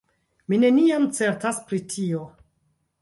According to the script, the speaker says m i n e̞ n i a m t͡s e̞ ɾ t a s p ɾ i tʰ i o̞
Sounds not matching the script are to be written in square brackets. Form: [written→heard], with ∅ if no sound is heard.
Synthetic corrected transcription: m i n e̞ n i a m t͡s e̞ ɾ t a s p ɾ i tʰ i o̞